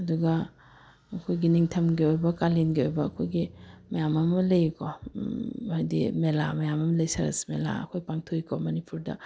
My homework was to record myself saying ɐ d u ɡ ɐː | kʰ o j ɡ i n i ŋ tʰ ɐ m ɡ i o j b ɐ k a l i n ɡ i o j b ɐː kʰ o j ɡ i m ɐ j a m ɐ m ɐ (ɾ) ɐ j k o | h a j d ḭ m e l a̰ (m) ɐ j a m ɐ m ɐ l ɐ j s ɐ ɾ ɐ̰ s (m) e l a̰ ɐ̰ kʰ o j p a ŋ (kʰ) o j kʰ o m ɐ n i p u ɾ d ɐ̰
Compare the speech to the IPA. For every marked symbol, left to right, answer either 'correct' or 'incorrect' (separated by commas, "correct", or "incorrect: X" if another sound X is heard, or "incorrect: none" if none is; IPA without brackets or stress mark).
incorrect: l, correct, correct, incorrect: tʰ